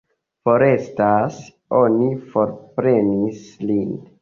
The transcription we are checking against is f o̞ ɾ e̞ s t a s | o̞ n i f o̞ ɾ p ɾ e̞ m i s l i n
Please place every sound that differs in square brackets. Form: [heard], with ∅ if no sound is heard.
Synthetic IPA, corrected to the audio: f o̞ ɾ e̞ s t a s | o̞ n i f o̞ ɾ p ɾ e̞ [n] i s l i n